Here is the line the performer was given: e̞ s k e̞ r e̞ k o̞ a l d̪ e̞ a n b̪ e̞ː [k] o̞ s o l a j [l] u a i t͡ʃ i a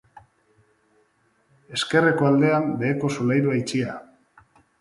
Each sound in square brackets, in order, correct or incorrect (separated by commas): correct, incorrect